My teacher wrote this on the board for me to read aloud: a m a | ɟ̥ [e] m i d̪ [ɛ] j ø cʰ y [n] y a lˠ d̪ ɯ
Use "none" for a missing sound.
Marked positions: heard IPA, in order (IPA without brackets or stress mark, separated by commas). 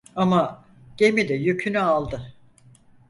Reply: e, ɛ, n